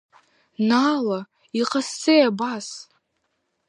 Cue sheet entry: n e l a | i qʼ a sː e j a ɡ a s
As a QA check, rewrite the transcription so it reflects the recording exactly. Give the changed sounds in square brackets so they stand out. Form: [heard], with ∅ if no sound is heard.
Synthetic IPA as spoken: n [a] l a | i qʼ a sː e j a [b] a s